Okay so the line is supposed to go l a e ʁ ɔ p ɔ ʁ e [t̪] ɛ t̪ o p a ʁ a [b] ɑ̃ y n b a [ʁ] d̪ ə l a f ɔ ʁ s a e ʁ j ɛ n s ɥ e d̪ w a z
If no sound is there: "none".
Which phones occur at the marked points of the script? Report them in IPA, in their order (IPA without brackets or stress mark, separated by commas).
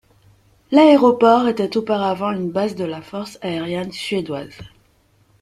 t̪, v, z